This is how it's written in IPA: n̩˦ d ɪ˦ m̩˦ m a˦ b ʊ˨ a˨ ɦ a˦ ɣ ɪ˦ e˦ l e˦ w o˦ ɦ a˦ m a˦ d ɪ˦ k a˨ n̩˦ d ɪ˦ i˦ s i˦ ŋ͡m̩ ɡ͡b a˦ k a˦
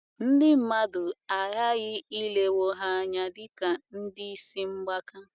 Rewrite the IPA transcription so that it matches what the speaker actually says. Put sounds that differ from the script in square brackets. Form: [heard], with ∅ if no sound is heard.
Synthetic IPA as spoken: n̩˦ d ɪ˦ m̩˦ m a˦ [d] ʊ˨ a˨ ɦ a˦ ɣ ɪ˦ [i˦] l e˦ w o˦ ɦ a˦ [ɲ] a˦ d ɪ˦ k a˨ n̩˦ d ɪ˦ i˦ s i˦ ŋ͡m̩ ɡ͡b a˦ k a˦